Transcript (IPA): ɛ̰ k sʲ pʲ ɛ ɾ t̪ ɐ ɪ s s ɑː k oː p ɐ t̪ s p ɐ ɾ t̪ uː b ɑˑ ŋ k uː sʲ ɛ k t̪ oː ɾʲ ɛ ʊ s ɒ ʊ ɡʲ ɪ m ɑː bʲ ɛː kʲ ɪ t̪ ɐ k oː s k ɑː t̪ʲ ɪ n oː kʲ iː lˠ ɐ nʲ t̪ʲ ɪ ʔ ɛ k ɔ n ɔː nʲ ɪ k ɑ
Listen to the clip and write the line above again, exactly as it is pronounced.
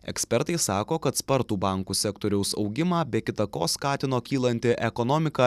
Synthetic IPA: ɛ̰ k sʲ pʲ ɛ ɾ t̪ ɐ ɪ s s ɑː k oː k ɐ t̪ s p ɐ ɾ t̪ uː b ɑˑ ŋ k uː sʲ ɛ k t̪ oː ɾʲ ɛ ʊ s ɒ ʊ ɡʲ ɪ m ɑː bʲ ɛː kʲ ɪ t̪ ɐ k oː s k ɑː t̪ʲ ɪ n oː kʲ iː lˠ ɐ nʲ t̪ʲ ɪ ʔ ɛ k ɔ n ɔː mʲ ɪ k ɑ